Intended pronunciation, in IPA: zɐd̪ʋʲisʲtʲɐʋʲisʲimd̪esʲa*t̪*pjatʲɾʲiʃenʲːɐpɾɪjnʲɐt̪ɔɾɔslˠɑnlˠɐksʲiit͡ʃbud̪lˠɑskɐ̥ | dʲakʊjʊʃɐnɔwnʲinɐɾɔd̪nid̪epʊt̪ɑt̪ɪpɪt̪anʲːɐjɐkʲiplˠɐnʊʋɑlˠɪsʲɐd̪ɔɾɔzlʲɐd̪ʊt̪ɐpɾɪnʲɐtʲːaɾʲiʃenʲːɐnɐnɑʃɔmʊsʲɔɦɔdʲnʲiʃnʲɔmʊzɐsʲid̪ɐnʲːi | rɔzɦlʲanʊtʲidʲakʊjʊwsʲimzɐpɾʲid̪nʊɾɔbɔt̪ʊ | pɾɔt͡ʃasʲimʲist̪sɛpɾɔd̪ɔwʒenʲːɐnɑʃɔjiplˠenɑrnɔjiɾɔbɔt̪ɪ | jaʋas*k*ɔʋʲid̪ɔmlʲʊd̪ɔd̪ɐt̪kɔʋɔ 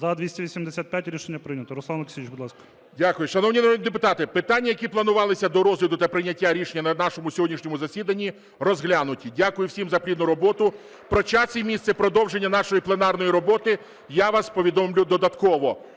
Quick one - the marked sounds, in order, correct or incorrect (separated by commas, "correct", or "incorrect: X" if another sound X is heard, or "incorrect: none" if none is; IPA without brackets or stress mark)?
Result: correct, incorrect: p